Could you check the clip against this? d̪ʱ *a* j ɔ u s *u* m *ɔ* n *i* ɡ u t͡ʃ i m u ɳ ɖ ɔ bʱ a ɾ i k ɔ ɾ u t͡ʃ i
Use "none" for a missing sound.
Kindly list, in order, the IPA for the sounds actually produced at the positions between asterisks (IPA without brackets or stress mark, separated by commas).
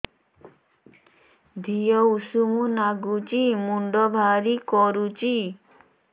i, u, u, a